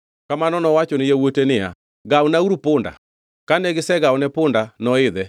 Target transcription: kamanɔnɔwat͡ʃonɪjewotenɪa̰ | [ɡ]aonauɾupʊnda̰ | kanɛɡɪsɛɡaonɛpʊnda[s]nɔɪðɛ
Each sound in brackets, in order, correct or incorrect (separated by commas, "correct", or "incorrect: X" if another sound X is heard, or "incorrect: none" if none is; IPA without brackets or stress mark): correct, incorrect: none